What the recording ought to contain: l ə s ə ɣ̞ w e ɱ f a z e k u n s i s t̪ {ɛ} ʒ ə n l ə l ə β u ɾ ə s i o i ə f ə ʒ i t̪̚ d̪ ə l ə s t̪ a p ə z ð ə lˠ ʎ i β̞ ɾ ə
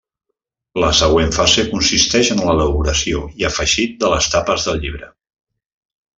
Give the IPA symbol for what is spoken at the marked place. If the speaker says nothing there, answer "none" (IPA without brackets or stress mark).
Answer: ɛ